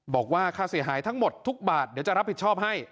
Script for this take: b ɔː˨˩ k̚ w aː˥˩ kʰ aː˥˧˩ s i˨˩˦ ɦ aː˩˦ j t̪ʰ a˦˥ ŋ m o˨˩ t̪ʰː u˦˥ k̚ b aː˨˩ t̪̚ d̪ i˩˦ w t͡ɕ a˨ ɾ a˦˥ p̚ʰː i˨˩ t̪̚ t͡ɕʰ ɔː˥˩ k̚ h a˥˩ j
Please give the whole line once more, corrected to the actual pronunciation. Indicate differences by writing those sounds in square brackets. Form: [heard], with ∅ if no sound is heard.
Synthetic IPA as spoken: b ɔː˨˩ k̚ w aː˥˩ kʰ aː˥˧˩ s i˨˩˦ ɦ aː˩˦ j t̪ʰ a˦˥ ŋ m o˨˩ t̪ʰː u˦˥ k̚ b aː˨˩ t̪̚ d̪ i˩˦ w t͡ɕ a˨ ɾ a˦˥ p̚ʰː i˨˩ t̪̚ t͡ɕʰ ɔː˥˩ [p̚] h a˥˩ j